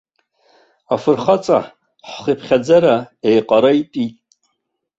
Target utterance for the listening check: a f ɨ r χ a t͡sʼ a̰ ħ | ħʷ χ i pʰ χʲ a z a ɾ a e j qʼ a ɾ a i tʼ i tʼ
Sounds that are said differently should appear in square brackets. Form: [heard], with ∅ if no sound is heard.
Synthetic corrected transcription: a f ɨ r χ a t͡sʼ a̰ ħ | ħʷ χ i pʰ χʲ a [d͡z] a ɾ a e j qʼ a ɾ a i tʼ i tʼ